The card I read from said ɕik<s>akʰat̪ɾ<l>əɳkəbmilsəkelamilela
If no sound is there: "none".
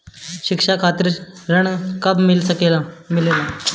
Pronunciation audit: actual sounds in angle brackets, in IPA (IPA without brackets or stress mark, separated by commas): ʂ, ɾ